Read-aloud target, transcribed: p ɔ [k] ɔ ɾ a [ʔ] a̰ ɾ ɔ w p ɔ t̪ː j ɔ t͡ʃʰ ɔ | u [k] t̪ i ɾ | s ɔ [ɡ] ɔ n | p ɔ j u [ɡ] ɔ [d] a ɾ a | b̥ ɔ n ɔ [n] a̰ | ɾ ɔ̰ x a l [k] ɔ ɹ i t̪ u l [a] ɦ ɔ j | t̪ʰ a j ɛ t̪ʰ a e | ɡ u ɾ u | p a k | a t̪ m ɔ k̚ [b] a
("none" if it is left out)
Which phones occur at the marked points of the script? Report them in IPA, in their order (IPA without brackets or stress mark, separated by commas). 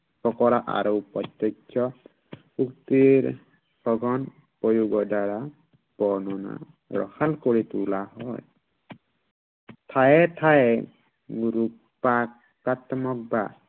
k, ʔ, k, ɡ, ɡ, d, n, k, a, b